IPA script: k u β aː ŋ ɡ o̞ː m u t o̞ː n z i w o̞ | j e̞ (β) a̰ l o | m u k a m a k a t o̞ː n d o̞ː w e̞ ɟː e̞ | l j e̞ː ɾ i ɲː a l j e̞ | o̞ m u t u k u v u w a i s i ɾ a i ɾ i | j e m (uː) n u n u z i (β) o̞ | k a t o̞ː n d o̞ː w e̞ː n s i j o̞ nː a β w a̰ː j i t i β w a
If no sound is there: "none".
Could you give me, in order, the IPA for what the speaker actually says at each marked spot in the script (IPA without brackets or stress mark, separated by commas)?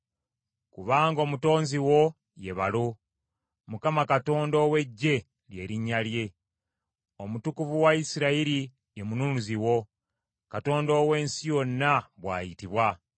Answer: β, u, w